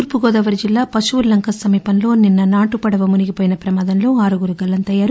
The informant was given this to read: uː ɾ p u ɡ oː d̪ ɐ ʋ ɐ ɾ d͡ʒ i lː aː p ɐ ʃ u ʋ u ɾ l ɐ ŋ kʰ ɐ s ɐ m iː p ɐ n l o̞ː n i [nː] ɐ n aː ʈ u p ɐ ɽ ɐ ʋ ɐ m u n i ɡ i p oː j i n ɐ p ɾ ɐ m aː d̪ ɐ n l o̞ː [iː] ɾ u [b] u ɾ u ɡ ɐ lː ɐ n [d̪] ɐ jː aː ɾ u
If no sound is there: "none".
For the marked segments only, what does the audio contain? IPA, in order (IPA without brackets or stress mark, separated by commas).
nː, aː, ɡ, t̪